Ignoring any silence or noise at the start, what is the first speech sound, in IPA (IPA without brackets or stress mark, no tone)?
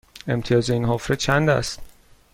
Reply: e̞